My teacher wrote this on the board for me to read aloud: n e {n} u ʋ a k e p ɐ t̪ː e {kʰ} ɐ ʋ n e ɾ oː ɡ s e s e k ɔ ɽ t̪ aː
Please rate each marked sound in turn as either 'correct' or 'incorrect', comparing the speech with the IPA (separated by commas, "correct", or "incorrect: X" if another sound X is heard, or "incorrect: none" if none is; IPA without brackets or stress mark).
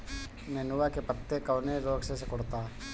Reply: correct, incorrect: k